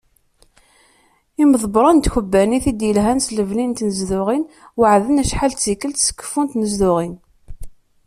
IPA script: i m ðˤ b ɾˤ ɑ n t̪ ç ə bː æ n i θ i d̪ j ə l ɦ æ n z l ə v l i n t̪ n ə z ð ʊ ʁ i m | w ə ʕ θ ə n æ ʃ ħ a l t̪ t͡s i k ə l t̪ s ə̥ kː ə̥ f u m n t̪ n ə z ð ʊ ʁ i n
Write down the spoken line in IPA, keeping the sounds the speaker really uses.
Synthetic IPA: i m ðˤ b ɾˤ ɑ n t̪ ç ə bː æ n i θ i d̪ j ə l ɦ æ n s l ə v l i n t̪ n ə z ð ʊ ʁ i n | w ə ʕ ð ə n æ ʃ ħ a l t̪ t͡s i k ə l t̪ s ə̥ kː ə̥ f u n t̪ n ə z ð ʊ ʁ i n